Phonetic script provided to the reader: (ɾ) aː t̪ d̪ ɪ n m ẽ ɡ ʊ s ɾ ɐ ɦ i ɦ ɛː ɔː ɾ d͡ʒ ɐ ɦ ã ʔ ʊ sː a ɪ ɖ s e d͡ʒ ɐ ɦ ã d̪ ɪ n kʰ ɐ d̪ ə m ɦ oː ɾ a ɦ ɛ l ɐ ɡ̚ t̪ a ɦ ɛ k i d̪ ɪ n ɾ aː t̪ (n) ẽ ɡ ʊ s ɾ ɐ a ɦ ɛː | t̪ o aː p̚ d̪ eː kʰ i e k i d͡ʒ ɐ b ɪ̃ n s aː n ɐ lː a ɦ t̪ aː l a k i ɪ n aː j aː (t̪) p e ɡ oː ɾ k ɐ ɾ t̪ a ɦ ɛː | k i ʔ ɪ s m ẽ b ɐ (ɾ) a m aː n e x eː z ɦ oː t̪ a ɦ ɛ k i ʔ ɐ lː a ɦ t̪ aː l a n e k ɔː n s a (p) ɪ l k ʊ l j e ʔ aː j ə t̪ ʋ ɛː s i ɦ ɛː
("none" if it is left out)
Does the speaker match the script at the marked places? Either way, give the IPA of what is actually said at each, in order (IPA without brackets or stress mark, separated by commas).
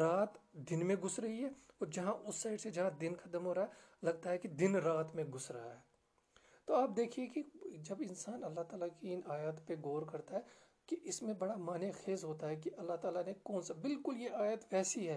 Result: ɾ, m, t̪, ɽ, b